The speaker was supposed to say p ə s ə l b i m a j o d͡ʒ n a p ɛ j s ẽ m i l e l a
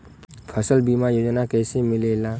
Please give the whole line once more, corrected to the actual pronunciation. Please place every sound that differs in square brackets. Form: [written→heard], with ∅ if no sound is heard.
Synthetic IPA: [p→pʰ] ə s ə l b i m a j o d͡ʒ n a [p→k] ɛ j s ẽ m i l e l a